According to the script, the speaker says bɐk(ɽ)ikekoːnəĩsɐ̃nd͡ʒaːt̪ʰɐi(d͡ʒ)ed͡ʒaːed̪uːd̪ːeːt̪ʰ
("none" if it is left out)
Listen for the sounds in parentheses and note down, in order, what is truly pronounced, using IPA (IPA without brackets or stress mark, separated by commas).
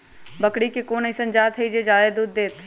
ɽ, d͡ʒ